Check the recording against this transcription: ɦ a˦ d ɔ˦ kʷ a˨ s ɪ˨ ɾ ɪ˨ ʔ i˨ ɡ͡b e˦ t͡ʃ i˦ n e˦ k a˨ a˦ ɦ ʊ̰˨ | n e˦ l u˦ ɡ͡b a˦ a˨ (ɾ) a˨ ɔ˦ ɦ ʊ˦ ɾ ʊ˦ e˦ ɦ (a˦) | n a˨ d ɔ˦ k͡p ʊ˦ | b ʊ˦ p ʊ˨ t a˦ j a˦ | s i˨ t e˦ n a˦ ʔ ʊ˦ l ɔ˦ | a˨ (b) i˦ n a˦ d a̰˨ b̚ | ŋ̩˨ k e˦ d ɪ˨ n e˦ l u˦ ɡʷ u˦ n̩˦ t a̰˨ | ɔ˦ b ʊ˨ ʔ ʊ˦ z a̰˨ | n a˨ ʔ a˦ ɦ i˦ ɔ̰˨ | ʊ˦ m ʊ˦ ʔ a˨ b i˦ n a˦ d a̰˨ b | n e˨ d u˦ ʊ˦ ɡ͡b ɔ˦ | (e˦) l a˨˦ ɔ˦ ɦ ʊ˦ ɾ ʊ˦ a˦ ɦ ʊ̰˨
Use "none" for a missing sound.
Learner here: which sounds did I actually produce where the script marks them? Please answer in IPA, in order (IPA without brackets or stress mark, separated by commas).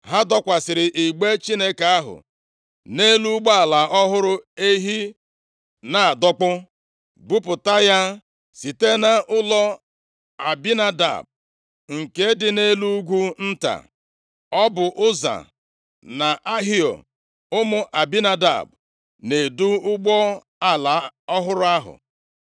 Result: l, i˦, b, a˦